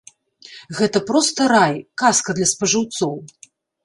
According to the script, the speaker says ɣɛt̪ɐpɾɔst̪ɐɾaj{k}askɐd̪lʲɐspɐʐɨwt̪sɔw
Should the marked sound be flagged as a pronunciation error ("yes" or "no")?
no